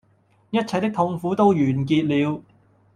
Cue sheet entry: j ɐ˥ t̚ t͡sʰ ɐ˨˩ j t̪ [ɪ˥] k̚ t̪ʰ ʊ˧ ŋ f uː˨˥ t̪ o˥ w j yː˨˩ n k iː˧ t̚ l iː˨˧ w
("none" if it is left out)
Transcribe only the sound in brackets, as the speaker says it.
ɪ˥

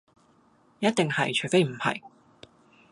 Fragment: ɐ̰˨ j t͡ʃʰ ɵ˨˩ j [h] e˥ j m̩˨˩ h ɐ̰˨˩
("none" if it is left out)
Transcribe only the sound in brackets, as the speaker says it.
f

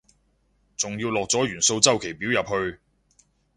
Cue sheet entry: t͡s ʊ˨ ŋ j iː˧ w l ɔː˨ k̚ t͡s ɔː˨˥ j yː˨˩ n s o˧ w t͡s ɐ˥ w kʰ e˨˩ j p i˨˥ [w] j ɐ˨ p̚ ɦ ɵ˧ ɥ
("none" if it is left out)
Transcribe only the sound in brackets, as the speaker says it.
w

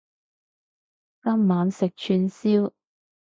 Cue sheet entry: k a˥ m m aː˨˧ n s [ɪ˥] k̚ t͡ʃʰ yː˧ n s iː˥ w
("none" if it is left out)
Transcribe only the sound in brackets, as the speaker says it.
ɪ˨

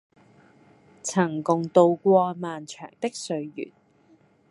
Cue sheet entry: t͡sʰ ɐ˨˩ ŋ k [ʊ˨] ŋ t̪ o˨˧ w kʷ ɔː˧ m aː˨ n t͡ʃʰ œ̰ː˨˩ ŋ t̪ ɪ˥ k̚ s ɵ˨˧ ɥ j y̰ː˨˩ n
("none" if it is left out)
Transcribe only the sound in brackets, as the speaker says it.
ʊ˨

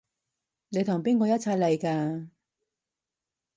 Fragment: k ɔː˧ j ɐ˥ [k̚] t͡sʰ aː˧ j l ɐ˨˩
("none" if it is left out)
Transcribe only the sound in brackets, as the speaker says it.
t̚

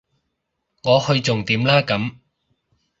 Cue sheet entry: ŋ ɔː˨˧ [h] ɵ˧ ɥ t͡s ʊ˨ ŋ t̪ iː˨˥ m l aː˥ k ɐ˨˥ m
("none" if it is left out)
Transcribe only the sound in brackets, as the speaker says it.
h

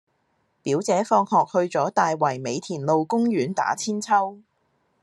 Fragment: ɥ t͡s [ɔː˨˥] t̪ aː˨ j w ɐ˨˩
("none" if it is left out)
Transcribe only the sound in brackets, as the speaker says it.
ɔː˨˥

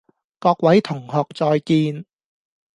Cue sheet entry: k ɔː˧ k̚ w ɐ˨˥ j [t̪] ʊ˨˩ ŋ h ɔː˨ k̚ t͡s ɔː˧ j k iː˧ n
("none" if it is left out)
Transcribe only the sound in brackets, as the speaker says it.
t̪ʰ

